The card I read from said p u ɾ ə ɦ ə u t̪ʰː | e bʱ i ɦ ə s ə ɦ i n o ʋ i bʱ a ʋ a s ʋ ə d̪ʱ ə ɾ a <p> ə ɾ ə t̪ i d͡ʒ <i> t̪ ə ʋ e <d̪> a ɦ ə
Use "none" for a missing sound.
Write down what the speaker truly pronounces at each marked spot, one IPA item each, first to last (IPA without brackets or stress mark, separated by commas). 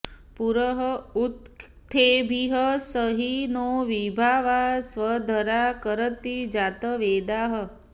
k, a, d̪